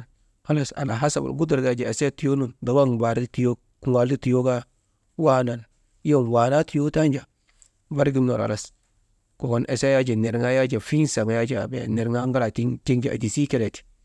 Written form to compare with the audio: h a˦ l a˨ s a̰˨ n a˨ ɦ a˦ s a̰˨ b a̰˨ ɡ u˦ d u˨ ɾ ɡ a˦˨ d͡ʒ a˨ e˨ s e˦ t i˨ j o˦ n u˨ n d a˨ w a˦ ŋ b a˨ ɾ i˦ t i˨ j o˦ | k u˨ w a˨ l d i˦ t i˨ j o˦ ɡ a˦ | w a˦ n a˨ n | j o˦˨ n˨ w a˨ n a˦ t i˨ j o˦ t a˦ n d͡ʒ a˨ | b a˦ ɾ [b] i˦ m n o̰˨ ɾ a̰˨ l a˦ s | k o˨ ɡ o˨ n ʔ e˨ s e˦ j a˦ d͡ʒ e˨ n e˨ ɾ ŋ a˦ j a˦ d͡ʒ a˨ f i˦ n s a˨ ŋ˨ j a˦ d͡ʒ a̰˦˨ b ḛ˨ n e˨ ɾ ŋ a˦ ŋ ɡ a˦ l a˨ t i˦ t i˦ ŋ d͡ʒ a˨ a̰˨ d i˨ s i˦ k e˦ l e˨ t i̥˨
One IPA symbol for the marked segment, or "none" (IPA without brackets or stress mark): ɡ